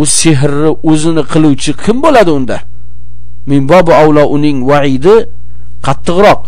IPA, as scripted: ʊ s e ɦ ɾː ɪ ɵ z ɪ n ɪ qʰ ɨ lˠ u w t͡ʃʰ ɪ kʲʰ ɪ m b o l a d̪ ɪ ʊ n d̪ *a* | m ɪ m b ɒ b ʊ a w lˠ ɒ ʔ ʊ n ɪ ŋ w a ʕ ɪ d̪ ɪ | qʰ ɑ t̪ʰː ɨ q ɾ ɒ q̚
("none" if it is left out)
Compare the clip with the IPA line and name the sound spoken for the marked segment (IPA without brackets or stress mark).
a